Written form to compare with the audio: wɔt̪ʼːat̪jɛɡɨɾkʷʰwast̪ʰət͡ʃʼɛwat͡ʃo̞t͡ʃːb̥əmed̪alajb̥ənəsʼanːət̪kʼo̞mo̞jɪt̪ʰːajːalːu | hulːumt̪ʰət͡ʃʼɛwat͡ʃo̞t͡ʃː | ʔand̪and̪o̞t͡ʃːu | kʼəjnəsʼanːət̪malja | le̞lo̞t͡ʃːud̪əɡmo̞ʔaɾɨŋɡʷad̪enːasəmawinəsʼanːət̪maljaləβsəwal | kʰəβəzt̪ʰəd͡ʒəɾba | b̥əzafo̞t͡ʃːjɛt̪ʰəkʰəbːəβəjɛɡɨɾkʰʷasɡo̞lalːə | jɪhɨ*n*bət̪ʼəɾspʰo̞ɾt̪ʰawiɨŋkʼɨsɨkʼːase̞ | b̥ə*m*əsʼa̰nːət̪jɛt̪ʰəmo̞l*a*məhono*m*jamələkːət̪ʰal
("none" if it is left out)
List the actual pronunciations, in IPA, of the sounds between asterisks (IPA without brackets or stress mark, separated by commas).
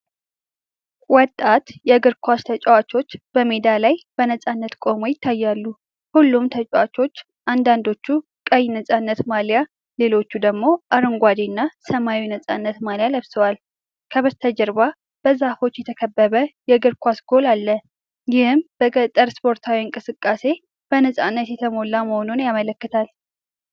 m, n, a, n